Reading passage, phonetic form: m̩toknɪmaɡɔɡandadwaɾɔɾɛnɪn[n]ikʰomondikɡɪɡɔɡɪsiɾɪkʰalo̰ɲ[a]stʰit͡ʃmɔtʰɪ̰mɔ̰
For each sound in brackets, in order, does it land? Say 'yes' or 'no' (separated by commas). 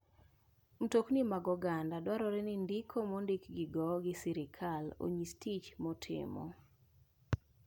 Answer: no, no